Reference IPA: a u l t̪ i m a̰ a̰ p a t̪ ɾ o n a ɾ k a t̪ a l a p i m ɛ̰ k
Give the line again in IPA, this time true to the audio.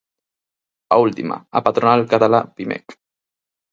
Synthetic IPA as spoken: a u l t̪ i m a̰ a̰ p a t̪ ɾ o n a l k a t̪ a l a p i m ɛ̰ k